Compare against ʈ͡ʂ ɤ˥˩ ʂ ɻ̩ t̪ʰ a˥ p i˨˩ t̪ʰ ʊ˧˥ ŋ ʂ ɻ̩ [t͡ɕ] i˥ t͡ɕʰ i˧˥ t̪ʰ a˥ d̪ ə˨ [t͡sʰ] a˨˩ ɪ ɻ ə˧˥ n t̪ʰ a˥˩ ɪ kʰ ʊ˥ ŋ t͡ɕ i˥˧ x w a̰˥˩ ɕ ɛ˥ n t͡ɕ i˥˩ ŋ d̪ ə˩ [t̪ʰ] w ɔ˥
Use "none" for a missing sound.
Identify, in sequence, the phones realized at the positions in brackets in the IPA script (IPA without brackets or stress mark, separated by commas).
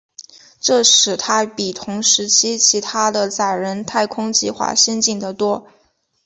t͡ɕʰ, t͡s, t̪